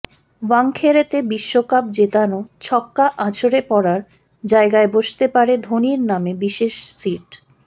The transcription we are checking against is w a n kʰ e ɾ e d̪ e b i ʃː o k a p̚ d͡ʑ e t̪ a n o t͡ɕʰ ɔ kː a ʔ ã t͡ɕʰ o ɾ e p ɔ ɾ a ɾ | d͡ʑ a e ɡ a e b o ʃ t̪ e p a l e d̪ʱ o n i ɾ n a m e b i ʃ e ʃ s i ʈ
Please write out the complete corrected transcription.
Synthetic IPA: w a ŋ kʰ e ɾ e t̪ e b i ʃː o k a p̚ d͡ʑ e t̪ a n o t͡ɕʰ ɔ kː a ʔ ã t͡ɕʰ o ɾ e p ɔ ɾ a ɾ | d͡ʑ a e ɡ a e b o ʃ t̪ e p a ɾ e d̪ʱ o n i ɾ n a m e b i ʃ e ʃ s i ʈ